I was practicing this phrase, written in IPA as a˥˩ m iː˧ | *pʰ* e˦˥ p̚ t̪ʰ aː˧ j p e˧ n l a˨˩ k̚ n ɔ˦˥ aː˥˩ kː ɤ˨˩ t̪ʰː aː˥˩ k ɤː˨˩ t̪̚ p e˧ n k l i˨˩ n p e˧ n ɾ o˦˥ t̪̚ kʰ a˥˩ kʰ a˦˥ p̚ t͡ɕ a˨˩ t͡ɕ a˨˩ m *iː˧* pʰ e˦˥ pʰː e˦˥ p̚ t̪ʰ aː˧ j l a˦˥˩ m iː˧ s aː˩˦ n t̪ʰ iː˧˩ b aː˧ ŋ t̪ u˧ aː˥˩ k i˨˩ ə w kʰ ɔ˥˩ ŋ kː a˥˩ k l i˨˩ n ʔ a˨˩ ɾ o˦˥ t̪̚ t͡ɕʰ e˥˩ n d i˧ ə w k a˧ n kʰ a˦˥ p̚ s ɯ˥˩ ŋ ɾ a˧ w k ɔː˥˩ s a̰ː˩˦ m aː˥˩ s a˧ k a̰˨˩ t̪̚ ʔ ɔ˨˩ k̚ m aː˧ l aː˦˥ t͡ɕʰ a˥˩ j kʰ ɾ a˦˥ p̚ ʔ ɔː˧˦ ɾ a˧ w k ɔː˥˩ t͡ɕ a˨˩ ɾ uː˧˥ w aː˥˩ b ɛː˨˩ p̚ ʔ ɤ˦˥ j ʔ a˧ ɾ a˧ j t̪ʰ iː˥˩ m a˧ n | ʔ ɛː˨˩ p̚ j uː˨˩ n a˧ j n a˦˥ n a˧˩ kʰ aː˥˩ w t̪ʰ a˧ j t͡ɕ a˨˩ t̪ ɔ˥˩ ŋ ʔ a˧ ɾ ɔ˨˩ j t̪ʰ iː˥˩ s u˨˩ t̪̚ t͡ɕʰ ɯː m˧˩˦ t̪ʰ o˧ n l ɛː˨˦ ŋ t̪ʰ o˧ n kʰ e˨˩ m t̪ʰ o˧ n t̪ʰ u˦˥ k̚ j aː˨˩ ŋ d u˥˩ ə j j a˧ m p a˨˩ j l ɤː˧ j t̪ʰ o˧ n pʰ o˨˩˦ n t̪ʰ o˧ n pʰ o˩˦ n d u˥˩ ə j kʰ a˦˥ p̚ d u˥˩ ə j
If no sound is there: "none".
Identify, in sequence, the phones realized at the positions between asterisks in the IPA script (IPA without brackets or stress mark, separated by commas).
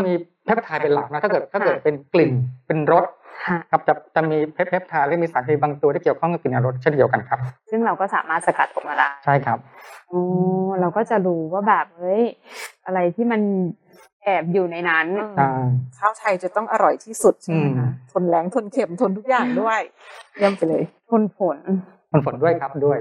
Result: pʰ, iː˧